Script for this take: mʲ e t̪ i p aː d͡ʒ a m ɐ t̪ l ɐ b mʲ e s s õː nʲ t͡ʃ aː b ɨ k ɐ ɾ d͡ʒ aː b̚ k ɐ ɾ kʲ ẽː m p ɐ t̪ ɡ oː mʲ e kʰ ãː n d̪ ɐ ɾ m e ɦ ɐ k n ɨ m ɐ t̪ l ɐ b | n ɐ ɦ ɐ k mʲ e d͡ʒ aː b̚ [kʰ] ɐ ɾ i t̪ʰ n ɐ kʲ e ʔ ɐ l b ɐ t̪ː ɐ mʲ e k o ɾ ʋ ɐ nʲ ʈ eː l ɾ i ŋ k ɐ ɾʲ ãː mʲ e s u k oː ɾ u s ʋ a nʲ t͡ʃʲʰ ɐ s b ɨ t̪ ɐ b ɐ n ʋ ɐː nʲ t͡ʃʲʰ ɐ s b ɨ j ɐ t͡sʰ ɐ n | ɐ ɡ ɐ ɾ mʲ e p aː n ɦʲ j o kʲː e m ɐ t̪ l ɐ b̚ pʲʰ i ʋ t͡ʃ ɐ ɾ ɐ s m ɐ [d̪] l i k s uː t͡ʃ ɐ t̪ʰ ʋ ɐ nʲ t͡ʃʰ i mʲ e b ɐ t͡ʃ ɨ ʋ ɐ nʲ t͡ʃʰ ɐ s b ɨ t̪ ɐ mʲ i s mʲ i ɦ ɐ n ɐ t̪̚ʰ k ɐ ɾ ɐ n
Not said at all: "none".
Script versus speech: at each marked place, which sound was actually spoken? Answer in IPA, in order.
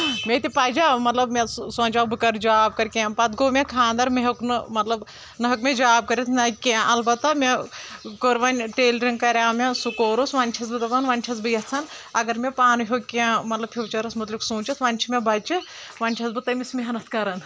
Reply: k, t̪

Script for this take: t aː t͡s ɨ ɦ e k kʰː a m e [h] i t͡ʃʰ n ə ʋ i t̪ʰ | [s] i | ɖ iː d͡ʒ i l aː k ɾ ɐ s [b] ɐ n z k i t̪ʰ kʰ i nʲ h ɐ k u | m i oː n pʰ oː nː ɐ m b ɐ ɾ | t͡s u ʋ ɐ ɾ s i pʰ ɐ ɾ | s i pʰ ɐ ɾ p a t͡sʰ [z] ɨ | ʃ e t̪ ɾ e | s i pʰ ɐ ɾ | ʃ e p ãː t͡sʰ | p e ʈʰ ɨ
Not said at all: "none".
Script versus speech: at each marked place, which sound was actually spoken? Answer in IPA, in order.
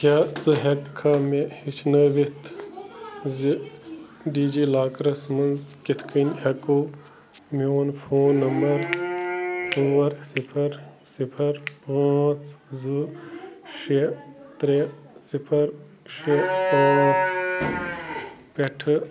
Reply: h, z, m, z

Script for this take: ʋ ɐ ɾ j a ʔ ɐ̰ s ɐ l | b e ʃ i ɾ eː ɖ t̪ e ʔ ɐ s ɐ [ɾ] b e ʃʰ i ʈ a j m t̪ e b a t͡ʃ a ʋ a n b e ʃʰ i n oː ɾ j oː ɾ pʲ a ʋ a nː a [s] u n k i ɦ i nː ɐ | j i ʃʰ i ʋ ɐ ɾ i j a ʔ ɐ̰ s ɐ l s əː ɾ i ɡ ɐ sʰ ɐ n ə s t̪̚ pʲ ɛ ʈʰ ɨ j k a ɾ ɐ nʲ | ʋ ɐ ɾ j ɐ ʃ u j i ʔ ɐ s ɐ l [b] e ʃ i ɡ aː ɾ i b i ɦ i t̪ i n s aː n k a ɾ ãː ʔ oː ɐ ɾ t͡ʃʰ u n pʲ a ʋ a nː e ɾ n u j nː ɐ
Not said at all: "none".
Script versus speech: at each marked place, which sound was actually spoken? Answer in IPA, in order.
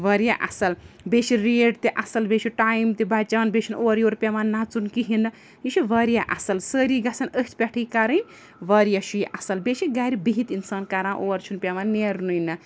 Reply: l, t͡s, b

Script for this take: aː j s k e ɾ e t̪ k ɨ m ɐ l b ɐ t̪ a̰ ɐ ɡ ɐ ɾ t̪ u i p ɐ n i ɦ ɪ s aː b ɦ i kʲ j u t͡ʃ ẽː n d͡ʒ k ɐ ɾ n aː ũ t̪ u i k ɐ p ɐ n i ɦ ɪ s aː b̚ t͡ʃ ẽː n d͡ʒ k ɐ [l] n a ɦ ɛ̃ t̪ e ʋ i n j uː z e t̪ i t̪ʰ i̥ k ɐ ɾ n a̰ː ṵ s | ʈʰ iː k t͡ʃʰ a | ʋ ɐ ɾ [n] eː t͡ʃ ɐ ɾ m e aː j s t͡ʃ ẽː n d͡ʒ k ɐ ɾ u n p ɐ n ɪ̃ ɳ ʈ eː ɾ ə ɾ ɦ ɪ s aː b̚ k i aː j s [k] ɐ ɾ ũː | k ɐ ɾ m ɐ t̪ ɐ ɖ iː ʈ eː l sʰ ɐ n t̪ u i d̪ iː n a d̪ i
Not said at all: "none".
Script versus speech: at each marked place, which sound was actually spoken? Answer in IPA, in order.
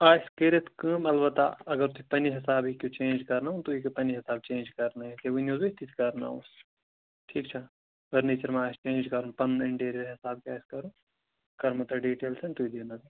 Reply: ɾ, n, k

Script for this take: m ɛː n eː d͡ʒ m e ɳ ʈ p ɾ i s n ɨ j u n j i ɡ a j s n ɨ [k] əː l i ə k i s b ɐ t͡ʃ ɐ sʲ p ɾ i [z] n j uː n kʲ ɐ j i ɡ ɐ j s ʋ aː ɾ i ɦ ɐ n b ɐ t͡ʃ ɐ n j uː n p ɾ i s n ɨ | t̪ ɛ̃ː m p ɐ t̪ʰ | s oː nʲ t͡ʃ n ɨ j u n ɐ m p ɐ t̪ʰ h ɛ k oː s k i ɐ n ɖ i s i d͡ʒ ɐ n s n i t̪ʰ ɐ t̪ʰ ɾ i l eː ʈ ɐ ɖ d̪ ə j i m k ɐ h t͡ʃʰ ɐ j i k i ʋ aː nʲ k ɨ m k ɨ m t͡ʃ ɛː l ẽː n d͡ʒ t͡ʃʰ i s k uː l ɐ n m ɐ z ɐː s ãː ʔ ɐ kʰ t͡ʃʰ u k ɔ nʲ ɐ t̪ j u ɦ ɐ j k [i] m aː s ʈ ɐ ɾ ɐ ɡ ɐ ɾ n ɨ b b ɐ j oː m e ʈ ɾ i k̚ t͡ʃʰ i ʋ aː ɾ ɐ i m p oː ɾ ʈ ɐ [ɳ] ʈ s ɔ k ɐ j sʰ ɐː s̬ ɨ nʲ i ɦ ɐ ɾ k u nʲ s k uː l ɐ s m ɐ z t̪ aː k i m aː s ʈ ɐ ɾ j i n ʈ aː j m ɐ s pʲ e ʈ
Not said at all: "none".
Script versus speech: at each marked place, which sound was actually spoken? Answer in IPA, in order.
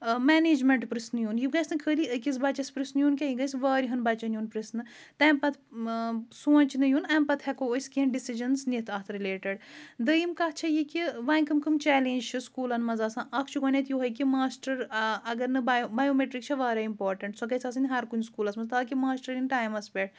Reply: kʰ, s, i, ɳ

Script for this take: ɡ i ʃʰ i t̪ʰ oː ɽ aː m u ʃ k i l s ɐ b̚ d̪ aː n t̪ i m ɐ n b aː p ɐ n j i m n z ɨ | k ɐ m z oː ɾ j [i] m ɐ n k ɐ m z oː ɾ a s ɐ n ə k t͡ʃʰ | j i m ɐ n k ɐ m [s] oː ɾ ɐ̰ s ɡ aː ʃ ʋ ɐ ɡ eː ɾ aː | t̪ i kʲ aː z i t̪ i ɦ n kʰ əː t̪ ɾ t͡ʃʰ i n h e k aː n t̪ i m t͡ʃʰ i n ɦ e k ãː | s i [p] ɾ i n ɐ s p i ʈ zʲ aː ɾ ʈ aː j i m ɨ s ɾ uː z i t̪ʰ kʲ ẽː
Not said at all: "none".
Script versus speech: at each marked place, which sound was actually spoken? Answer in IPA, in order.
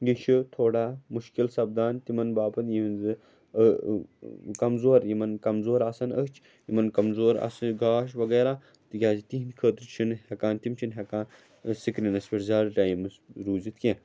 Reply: i, z, k

